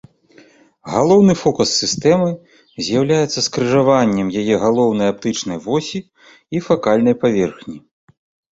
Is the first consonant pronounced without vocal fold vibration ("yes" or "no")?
no